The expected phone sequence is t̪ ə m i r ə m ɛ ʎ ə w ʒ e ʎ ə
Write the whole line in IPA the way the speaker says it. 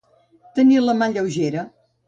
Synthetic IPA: t̪ ə n i l ə m a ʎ ə w ʒ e ɾ ə